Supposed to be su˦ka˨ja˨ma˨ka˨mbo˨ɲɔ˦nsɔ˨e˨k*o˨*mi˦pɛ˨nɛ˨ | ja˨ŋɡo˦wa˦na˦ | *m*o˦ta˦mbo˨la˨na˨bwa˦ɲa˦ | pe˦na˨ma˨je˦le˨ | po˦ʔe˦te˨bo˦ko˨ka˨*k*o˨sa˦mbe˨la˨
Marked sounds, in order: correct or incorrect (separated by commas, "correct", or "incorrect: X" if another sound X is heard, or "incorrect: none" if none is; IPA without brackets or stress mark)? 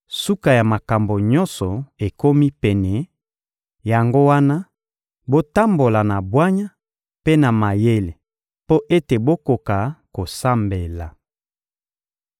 incorrect: o˦, incorrect: b, correct